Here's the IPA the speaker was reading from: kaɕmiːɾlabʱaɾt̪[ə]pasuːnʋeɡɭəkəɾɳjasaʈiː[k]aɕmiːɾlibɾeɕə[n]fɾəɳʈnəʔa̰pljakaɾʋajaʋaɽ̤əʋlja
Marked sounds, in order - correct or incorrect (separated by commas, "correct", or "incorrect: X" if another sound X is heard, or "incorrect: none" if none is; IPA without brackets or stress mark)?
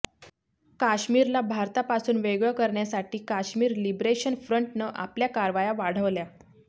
incorrect: a, correct, correct